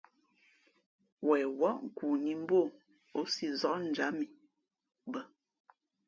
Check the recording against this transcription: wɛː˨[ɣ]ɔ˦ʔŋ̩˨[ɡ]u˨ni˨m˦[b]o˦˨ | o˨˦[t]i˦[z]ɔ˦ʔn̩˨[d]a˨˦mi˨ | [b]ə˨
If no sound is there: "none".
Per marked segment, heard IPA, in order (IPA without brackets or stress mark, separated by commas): w, k, b, s, z, d͡ʒ, b